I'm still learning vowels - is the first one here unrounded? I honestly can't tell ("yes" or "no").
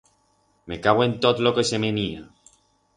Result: yes